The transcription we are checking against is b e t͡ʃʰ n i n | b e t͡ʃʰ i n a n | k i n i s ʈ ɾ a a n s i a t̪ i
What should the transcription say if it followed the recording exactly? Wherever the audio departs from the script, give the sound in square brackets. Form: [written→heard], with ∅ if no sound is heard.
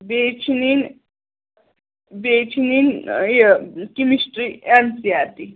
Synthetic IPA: b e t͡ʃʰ n i n | b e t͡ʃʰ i n [a→i] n | k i [n→m] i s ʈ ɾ [a→i] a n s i a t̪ i